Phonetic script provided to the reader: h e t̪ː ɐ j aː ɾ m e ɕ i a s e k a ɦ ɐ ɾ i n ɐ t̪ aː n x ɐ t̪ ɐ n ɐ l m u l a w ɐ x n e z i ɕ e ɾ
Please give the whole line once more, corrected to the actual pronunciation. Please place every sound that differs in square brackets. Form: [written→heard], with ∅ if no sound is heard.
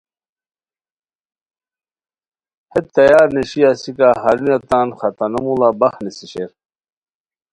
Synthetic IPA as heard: h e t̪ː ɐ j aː ɾ [m→n] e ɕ i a s [e→i] k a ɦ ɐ ɾ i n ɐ t̪ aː n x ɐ t̪ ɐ n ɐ [l→∅] m u l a [w→b] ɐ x n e [z→s] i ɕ e ɾ